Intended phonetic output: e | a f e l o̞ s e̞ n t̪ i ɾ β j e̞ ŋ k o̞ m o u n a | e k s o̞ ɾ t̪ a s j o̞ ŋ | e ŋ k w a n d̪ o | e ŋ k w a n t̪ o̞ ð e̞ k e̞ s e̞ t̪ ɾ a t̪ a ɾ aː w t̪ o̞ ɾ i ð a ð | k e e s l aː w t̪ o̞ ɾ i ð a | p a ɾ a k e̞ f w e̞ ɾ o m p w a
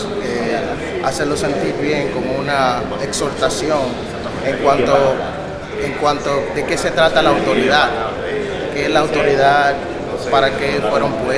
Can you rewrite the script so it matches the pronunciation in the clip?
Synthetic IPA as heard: e | a s e l o̞ s e̞ n t̪ i ɾ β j e̞ ŋ k o̞ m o u n a | e k s o̞ ɾ t̪ a s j o̞ ŋ | e ŋ k w a n t̪ o | e ŋ k w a n t̪ o̞ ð e̞ k e̞ s e̞ t̪ ɾ a t̪ a l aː w t̪ o̞ ɾ i ð a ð | k e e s l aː w t̪ o̞ ɾ i ð a | p a ɾ a k e̞ f w e̞ ɾ o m p w e